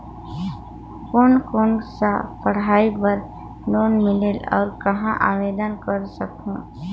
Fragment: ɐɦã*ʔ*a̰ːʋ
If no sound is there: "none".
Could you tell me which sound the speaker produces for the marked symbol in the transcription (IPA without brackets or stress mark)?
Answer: ʔ